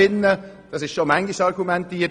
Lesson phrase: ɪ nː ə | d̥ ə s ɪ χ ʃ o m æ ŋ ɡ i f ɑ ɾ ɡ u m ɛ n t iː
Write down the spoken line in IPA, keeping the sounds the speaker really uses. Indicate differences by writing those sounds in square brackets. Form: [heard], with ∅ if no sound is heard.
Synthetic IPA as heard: ɪ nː ə | d̥ [ɑ] s ɪ [ʃ] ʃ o m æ ŋ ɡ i [ʃ] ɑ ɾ ɡ u m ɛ n t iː